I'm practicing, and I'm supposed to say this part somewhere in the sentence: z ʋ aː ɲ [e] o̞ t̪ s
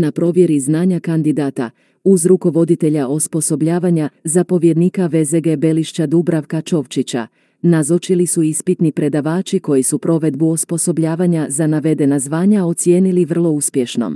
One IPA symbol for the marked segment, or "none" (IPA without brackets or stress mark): a